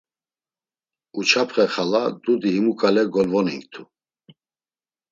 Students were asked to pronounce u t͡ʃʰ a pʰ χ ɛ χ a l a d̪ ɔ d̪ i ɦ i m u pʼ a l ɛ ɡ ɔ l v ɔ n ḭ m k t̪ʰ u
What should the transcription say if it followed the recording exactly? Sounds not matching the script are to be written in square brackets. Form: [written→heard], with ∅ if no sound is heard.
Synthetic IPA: u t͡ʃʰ a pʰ χ ɛ χ a l a d̪ [ɔ→u] d̪ i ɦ i m u [pʼ→kʼ] a l ɛ ɡ ɔ l v ɔ n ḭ [m→ŋ] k t̪ʰ u